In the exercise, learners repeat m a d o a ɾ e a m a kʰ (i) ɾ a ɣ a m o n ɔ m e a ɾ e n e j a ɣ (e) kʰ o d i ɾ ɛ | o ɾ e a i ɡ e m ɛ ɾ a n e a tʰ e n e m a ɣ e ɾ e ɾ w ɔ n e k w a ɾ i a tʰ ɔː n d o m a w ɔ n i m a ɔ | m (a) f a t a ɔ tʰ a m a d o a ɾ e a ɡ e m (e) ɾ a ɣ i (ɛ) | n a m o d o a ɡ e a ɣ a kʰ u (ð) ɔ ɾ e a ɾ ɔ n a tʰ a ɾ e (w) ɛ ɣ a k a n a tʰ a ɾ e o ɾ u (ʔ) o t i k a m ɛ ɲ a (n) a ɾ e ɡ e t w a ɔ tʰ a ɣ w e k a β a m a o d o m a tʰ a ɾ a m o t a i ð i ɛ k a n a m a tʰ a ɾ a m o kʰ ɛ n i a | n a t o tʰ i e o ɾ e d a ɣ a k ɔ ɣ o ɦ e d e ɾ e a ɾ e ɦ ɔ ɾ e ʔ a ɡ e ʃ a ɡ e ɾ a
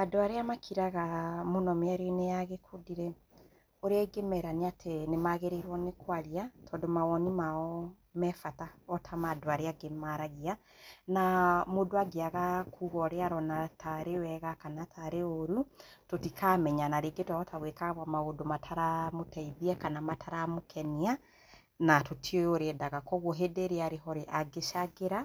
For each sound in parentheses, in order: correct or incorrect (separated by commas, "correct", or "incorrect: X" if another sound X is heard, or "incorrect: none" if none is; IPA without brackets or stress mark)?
correct, correct, incorrect: ɛ, incorrect: a, incorrect: a, incorrect: ɣ, correct, incorrect: t, correct